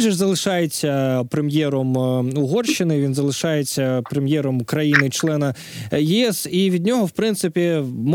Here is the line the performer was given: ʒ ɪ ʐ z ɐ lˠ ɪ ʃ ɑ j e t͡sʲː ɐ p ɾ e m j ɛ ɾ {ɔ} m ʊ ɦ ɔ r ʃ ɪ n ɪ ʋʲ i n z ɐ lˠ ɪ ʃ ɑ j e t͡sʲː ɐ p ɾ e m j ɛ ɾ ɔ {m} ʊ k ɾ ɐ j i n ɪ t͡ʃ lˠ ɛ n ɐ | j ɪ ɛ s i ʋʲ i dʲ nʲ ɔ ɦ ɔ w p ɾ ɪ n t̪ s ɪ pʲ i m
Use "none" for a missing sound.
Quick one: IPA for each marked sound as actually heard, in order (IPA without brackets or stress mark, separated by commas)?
ɔ, m